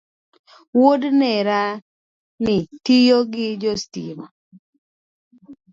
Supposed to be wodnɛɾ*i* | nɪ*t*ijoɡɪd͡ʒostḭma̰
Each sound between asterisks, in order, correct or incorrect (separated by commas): incorrect, correct